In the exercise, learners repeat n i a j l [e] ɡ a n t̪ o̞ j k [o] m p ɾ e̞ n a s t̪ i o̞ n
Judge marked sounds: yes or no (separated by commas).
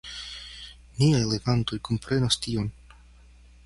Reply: yes, yes